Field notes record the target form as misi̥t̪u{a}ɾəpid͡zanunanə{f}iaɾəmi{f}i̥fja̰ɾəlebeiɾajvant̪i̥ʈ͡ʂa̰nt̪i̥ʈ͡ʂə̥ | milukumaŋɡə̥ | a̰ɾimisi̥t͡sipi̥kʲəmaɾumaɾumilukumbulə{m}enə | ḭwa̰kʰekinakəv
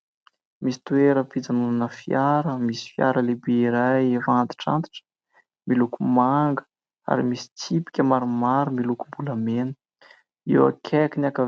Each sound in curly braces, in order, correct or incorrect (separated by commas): incorrect, correct, incorrect, correct